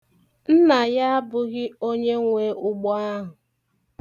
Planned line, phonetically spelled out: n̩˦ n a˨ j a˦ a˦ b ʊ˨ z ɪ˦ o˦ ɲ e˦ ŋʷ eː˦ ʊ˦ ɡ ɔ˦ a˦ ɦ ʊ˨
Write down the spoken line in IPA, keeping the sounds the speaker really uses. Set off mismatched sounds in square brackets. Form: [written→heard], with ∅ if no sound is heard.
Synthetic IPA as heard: n̩˦ n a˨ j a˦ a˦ b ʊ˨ [z→ɣ] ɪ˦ o˦ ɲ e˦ ŋʷ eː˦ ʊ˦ [ɡ→ɡ͡b] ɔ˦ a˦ ɦ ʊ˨